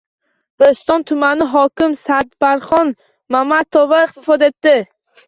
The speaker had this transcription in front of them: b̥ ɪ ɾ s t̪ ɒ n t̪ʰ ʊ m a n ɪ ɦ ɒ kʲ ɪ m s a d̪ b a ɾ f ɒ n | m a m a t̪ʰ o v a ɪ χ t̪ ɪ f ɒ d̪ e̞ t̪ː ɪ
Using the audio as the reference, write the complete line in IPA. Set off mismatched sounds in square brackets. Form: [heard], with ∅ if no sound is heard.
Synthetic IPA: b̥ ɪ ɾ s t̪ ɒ n t̪ʰ ʊ m a n ɪ ɦ ɒ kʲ ɪ m s a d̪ b a ɾ [χ] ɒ n | m a m a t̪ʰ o v a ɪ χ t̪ ɪ f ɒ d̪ e̞ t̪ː ɪ